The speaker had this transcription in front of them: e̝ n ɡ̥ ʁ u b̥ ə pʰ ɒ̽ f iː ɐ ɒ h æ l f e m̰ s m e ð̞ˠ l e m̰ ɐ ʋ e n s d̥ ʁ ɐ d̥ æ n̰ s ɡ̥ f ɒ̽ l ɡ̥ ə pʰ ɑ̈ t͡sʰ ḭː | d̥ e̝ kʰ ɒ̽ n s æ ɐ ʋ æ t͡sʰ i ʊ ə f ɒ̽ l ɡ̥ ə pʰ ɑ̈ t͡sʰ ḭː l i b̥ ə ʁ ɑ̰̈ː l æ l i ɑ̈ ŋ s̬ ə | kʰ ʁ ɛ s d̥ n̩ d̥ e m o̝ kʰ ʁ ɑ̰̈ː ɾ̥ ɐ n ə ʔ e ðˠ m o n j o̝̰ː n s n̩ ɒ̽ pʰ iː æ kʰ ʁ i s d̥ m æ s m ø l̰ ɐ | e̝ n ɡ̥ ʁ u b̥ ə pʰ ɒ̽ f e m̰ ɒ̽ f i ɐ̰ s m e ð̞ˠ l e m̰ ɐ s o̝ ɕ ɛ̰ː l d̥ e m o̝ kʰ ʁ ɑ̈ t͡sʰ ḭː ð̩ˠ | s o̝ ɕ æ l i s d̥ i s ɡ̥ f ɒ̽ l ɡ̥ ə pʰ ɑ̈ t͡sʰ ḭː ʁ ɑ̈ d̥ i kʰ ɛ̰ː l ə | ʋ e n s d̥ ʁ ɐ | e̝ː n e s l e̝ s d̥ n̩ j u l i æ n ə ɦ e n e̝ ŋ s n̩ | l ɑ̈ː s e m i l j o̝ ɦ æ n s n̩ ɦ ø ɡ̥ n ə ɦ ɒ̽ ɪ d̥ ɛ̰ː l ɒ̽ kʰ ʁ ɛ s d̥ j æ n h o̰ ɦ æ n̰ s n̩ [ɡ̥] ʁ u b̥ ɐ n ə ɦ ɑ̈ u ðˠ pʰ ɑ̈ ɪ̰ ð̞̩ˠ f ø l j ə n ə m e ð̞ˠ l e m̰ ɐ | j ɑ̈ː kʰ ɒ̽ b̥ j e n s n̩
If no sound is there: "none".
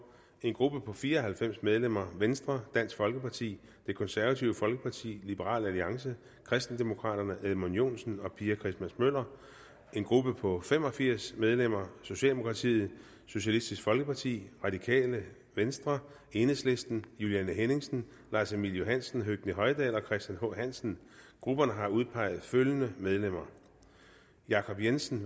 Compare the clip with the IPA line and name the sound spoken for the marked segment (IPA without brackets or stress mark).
ɡ̥